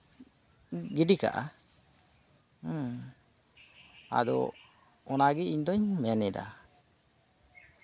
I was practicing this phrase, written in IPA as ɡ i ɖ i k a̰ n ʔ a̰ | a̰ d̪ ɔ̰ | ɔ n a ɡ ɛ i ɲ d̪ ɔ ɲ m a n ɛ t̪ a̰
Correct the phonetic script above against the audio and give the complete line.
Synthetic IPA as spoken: ɡ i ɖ i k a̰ ʔ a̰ | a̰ d̪ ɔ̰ | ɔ n a ɡ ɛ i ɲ d̪ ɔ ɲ m ɛ n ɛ d̪ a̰